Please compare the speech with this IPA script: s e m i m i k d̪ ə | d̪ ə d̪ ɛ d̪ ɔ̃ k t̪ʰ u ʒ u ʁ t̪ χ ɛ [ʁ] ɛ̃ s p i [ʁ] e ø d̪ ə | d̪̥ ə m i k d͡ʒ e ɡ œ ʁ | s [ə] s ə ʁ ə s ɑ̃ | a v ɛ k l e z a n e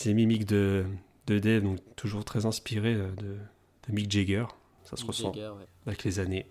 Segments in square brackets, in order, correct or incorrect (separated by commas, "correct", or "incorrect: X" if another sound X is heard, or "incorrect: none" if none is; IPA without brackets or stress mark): incorrect: z, correct, incorrect: a